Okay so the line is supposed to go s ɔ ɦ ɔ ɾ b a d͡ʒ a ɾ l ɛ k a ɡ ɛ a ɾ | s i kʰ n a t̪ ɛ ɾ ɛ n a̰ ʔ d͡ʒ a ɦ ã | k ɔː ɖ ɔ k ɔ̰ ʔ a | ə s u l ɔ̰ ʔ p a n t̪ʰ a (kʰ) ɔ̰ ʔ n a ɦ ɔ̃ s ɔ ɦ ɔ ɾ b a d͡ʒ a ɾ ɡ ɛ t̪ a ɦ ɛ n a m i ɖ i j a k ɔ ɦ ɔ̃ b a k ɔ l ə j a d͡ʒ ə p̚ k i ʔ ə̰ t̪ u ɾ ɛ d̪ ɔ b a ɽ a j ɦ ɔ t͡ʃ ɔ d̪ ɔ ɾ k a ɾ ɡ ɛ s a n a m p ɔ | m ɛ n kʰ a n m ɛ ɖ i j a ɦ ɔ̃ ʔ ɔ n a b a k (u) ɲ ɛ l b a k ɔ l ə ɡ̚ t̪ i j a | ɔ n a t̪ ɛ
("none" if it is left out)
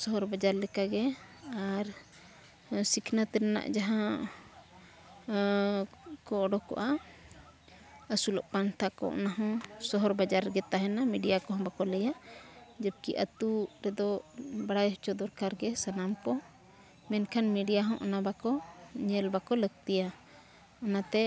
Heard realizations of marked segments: k, ɔ

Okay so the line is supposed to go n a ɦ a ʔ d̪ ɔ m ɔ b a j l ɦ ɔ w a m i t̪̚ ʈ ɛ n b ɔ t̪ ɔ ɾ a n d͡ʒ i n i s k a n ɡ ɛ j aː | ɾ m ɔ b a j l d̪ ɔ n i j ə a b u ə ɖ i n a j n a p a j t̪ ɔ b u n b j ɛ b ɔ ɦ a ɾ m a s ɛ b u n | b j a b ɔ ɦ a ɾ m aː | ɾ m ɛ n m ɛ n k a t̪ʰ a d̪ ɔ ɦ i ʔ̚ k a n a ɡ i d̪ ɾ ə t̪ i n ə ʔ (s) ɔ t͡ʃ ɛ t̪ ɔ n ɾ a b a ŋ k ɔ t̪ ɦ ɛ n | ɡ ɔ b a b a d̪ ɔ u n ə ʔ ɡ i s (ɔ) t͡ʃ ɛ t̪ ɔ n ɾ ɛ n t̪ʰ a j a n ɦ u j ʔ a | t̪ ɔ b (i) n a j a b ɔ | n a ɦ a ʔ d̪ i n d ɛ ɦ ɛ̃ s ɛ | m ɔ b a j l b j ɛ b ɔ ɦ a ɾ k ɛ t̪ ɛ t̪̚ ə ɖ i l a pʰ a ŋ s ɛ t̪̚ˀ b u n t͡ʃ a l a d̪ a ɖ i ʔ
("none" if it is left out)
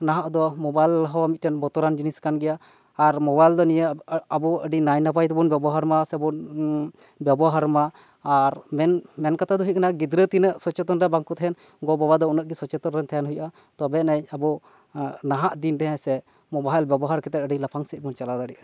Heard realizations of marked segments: s, ɔ, ɛ

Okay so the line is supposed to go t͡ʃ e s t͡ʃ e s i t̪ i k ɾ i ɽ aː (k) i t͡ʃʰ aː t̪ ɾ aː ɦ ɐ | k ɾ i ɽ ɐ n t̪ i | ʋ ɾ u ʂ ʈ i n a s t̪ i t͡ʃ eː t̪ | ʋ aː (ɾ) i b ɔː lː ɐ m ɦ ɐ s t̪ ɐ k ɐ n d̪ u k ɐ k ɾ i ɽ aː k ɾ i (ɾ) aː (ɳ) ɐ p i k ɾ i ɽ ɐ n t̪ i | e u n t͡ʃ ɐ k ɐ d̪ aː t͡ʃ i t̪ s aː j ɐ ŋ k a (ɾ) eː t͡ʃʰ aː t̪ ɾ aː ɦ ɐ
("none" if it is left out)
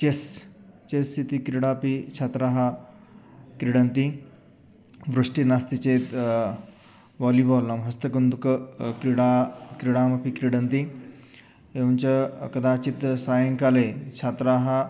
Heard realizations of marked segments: p, l, ɽ, m, l

